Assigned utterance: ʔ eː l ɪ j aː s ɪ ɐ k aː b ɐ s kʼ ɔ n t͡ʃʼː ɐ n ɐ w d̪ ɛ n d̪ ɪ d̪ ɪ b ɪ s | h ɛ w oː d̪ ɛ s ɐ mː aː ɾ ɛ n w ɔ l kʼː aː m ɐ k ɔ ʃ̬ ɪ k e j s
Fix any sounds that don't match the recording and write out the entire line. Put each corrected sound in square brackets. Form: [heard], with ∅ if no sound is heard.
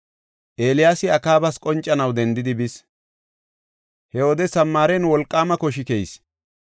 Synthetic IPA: ʔ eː l ɪ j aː s ɪ ɐ k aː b ɐ s kʼ ɔ n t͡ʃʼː ɐ n ɐ w d̪ ɛ n d̪ ɪ d̪ ɪ b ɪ s | h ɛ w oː d̪ ɛ s ɐ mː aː ɾ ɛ n w ɔ l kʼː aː m ɐ k ɔ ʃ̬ ɪ k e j s